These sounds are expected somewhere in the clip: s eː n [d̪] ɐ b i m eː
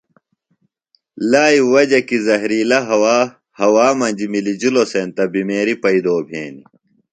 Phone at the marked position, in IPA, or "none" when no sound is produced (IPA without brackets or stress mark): t̪